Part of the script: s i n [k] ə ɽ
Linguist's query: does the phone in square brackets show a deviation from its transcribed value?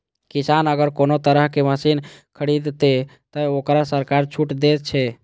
yes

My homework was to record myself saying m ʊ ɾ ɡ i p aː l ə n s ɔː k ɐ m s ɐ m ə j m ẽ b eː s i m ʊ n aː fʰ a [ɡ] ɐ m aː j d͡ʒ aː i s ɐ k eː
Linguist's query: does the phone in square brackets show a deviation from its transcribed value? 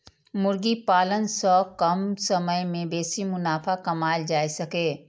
yes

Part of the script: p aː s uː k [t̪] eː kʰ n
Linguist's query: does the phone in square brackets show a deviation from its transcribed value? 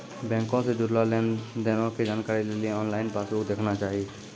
yes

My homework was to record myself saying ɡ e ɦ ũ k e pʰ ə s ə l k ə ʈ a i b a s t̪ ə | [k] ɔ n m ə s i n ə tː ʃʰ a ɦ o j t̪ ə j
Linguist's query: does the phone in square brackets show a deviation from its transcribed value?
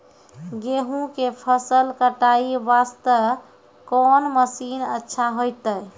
no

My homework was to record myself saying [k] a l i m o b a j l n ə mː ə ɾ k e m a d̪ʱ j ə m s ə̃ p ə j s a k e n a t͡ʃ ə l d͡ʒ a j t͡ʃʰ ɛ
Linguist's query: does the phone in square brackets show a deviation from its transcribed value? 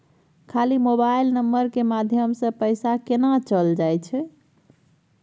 yes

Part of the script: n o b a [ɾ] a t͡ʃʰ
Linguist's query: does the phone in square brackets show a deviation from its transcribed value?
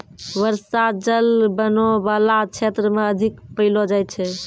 yes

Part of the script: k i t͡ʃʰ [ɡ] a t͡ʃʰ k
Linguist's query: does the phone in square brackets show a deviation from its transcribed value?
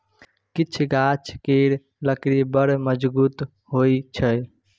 no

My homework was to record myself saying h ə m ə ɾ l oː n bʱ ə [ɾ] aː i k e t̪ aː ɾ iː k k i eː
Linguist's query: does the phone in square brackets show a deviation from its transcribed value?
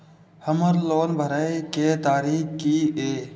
no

